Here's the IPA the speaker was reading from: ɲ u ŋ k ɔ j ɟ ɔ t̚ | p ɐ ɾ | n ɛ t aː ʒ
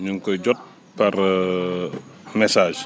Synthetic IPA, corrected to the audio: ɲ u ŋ k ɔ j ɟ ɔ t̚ | p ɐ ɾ | m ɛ s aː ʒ